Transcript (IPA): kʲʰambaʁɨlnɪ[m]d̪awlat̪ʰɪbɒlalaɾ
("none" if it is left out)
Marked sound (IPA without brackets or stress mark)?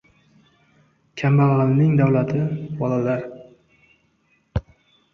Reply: ŋ